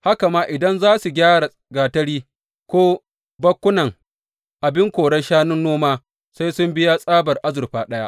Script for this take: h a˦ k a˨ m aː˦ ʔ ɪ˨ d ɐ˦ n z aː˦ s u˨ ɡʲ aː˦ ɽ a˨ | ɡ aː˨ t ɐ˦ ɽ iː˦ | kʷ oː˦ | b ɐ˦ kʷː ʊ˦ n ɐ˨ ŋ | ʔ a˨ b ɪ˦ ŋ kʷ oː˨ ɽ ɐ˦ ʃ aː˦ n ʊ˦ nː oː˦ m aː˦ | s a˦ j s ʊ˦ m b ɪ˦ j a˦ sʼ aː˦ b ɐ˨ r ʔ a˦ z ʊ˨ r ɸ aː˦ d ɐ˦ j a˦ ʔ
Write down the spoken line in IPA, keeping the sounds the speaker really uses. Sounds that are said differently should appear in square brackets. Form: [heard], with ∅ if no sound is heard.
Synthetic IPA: h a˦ k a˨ m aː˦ ʔ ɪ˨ d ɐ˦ n z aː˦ s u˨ ɡʲ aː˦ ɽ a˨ | ɡ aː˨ t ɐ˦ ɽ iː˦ | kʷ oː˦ | b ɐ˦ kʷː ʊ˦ n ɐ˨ ŋ | ʔ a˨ b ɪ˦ ŋ kʷ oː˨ ɽ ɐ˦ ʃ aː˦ n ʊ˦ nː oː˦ m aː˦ | s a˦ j s ʊ˦ m b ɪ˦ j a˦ sʼ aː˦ b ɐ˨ r ʔ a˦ z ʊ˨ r ɸ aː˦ [ɗ] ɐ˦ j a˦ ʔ